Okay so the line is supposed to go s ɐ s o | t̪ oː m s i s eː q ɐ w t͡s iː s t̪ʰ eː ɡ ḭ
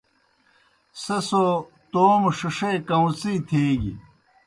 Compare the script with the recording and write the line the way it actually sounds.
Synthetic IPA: s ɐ s o | t̪ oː m ʂ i ʂ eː k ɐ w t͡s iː t̪ʰ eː ɡ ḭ